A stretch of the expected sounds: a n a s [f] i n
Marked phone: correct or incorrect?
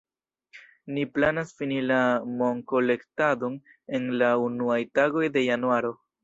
correct